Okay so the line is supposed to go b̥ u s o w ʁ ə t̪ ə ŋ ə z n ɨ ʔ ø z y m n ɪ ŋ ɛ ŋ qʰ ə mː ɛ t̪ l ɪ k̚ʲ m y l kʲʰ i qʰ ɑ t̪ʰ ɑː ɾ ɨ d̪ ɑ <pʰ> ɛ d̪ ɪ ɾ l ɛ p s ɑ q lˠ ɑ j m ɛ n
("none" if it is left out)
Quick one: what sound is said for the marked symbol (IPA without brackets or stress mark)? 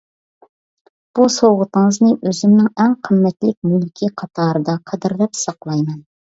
qʰ